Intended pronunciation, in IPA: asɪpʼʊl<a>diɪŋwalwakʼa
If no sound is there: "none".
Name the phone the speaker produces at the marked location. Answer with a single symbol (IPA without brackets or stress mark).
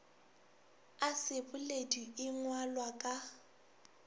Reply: e